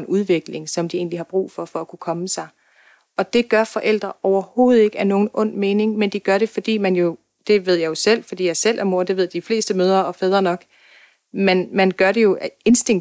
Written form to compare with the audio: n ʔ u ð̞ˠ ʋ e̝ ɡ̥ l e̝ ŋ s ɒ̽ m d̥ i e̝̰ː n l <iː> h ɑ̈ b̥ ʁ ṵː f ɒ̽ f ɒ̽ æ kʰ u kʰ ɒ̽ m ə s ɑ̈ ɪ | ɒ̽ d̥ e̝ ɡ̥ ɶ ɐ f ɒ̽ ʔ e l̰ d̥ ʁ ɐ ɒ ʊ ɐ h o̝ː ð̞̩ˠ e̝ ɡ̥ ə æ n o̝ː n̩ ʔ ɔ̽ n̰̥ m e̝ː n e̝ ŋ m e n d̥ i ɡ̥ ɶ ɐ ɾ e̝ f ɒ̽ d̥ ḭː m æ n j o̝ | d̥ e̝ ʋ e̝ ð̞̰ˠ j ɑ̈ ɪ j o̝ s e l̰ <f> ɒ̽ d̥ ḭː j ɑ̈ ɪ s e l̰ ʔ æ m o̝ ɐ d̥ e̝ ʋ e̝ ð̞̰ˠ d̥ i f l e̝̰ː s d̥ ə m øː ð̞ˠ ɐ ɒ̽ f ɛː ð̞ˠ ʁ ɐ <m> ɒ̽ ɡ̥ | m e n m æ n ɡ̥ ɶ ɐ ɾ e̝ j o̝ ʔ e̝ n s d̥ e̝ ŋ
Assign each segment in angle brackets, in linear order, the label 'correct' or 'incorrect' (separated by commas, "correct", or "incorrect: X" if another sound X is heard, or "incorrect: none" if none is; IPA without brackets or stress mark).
incorrect: i, correct, incorrect: n